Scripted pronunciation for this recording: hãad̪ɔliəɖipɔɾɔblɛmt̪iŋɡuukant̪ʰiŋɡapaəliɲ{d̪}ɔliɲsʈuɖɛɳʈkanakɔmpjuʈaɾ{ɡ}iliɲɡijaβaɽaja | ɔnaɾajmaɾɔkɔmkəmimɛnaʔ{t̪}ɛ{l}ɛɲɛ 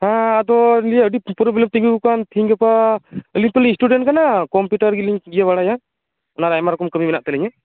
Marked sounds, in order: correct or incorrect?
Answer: incorrect, correct, correct, correct

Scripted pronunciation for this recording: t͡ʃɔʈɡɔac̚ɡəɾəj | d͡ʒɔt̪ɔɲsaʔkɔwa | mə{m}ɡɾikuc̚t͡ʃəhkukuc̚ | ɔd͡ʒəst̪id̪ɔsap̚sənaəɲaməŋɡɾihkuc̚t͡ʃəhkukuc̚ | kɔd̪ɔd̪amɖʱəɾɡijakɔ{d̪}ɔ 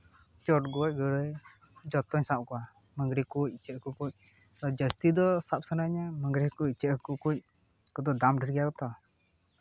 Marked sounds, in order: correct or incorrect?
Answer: incorrect, incorrect

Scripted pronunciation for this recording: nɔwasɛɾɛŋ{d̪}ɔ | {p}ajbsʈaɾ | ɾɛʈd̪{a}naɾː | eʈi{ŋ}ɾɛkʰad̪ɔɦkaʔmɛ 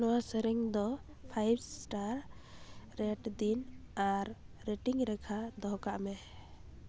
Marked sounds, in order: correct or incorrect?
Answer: correct, incorrect, incorrect, correct

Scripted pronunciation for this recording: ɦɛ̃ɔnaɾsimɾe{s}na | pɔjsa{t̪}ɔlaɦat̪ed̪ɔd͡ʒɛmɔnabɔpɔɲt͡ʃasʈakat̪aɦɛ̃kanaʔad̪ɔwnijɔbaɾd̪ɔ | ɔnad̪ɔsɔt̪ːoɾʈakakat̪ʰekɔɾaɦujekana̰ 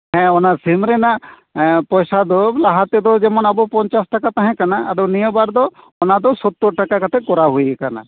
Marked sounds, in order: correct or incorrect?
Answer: incorrect, incorrect

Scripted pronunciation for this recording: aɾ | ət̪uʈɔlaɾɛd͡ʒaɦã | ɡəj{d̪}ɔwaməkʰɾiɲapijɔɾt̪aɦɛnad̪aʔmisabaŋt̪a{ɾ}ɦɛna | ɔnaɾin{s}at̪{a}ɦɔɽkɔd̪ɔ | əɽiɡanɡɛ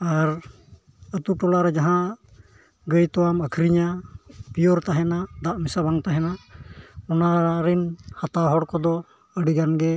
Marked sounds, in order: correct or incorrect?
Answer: incorrect, incorrect, incorrect, correct

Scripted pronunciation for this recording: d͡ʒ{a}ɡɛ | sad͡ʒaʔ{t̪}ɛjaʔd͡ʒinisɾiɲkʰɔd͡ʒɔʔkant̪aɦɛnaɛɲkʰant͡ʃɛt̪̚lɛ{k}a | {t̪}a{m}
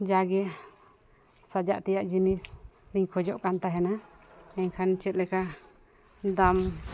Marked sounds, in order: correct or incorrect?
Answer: correct, correct, correct, incorrect, correct

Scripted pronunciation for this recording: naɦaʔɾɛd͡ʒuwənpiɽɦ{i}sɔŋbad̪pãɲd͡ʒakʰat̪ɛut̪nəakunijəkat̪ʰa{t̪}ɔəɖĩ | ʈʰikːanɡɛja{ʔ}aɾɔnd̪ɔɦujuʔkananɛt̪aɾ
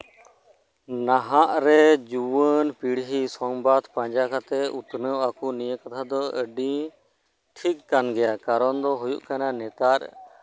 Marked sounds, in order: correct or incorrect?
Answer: correct, incorrect, incorrect

